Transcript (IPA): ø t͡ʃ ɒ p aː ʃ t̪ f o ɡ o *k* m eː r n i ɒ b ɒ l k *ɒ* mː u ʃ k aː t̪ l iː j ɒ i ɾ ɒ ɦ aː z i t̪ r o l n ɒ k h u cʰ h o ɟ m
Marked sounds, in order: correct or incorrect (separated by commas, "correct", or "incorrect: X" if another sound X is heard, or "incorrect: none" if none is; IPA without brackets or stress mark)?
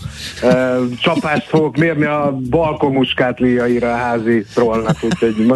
correct, incorrect: o